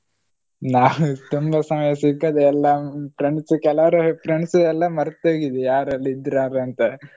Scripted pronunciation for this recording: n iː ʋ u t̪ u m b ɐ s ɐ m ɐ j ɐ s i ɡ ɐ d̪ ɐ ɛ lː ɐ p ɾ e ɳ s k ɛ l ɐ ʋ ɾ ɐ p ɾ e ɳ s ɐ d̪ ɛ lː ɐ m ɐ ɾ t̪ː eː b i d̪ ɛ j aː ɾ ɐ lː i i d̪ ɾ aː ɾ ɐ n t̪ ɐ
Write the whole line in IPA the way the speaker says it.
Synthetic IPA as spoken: n aː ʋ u t̪ u m b ɐ s ɐ m ɐ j ɐ s i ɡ ɐ d̪ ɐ ɛ lː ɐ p ɾ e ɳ s k ɛ l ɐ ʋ ɾ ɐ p ɾ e ɳ s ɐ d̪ ɛ lː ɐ m ɐ ɾ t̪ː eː ɡ i d̪ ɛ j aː ɾ ɐ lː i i d̪ ɾ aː ɾ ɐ n t̪ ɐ